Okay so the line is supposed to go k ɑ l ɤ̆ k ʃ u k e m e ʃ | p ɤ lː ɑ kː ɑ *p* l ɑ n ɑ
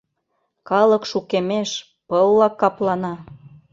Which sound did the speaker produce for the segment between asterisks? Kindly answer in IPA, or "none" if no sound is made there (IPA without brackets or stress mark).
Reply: p